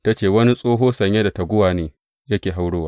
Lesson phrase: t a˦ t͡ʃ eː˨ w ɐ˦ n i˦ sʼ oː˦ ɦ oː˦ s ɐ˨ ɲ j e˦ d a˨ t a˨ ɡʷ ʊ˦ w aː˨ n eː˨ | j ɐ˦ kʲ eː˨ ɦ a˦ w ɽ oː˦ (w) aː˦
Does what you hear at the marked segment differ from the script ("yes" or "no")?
no